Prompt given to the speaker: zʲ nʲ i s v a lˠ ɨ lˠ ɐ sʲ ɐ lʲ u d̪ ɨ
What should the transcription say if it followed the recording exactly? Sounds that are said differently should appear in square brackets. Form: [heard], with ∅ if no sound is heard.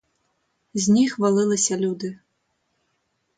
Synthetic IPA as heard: zʲ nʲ i [x] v a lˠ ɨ lˠ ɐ sʲ ɐ lʲ u d̪ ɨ